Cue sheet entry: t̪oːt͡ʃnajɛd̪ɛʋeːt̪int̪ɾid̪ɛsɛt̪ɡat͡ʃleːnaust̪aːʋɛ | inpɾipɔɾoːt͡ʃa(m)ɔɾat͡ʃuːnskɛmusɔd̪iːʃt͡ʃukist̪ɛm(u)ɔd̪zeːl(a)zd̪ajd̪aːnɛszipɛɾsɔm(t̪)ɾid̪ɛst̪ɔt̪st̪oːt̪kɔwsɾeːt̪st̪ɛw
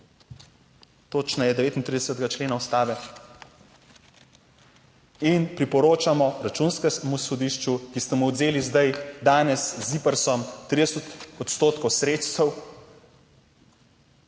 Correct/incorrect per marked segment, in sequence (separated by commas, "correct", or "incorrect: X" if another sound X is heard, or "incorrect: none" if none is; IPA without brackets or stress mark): correct, correct, incorrect: i, correct